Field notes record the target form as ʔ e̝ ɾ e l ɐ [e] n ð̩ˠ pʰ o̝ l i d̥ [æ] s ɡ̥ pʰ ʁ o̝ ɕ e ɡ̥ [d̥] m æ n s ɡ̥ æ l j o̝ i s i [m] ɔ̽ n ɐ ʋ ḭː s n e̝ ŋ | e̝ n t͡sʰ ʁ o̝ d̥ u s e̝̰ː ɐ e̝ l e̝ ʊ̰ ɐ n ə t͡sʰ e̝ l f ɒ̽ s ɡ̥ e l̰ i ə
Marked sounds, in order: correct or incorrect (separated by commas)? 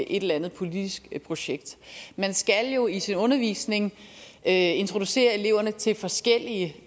incorrect, incorrect, correct, incorrect